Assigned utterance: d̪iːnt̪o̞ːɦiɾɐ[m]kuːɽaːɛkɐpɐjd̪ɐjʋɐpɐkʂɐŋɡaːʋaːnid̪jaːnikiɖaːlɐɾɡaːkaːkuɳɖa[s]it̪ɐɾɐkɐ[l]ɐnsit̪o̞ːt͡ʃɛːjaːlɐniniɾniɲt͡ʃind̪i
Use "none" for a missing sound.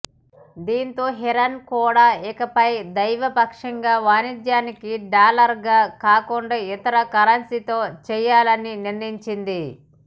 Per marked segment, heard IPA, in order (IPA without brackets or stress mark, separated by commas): n, none, ɾ